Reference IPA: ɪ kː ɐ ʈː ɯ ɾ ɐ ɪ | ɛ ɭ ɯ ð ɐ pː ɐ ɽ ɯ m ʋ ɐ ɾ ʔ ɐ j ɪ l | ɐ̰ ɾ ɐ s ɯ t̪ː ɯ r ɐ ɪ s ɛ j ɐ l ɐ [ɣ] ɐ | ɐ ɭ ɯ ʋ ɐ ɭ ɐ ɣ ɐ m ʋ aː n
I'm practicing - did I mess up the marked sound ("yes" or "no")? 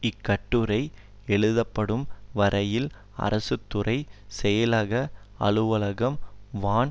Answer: no